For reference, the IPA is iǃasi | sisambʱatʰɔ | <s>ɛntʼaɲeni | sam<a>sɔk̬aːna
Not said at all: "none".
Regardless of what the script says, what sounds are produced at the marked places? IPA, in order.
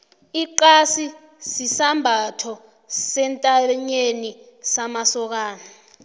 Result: s, a

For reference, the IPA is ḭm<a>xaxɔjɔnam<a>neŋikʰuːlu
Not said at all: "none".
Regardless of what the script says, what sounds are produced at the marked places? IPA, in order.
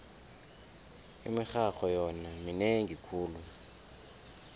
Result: i, i

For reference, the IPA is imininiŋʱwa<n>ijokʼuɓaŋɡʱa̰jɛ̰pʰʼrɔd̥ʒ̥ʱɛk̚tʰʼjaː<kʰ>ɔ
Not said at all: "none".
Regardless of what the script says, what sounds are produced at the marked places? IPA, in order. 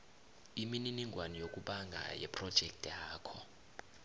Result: n, kʰ

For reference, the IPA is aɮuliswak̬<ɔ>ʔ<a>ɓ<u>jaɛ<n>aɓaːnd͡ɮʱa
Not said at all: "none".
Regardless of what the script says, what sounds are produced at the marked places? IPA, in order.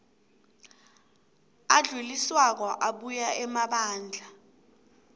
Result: ɔ, a, u, m

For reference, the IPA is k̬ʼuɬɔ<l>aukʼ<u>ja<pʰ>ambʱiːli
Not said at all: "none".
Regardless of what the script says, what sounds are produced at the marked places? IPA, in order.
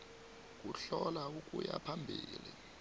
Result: l, u, pʰ

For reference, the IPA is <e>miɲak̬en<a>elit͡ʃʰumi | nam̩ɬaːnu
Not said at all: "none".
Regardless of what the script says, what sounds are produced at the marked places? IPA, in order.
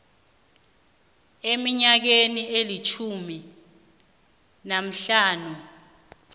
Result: e, i

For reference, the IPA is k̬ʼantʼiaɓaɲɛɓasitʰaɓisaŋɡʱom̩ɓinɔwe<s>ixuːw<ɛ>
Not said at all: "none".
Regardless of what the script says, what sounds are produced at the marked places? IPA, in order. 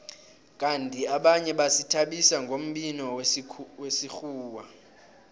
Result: s, a

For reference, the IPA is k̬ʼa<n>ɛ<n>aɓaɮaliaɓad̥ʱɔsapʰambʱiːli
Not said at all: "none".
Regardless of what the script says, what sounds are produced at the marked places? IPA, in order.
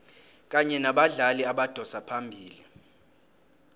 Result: ɲ, n

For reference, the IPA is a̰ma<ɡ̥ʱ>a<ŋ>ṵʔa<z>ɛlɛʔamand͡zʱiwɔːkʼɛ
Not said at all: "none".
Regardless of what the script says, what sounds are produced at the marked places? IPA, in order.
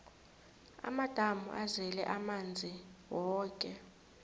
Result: d̥ʱ, m, z

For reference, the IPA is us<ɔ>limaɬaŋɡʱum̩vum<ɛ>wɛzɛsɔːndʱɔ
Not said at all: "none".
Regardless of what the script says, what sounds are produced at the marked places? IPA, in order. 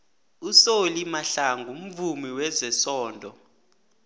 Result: o, i

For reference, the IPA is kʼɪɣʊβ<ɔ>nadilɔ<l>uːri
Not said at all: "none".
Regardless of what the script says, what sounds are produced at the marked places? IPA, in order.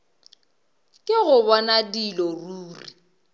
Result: ɔ, r

